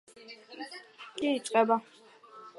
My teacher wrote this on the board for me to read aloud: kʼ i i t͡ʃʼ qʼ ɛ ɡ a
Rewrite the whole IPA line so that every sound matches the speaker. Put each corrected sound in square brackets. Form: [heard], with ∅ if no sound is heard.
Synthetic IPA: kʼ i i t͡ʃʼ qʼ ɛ [b] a